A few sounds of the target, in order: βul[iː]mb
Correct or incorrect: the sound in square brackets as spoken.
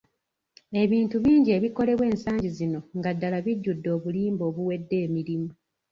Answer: correct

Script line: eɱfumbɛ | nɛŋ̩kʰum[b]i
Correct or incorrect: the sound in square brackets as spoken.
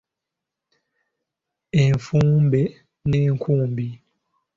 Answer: correct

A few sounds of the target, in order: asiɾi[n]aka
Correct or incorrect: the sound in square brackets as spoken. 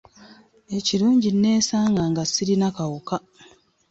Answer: correct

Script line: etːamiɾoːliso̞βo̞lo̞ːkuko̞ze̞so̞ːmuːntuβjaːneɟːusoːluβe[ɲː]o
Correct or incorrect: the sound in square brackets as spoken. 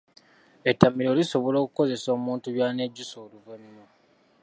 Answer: incorrect: nː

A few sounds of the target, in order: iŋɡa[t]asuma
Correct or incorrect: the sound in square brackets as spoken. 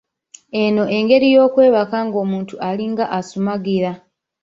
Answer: incorrect: ʔ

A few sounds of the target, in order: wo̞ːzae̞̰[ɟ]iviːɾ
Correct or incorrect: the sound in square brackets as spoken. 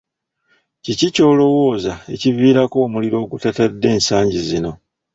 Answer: incorrect: c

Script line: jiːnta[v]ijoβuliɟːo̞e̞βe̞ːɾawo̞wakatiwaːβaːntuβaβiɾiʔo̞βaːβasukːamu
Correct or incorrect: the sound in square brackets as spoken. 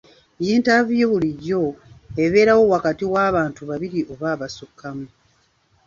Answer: correct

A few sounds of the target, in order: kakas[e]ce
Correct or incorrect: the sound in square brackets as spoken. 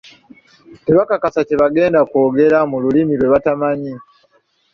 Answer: incorrect: a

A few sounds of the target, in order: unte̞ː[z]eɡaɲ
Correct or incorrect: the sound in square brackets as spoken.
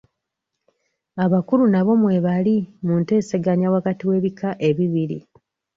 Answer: incorrect: s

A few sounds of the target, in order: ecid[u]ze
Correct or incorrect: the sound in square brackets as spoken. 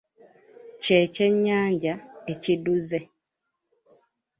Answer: correct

